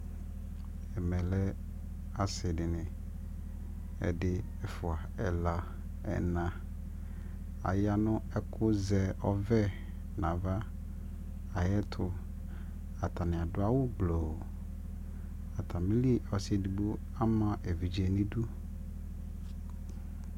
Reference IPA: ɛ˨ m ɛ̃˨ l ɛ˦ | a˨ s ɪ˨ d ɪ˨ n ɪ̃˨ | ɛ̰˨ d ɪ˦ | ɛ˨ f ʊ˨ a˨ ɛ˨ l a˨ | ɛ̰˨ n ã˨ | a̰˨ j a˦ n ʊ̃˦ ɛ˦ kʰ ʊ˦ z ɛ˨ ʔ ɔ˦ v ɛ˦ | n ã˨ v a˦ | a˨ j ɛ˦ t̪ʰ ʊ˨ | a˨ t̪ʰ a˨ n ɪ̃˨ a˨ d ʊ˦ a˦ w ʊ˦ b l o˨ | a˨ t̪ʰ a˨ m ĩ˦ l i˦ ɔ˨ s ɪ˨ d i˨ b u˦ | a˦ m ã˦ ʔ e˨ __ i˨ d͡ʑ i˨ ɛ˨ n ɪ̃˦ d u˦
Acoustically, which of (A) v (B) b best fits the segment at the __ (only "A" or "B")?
A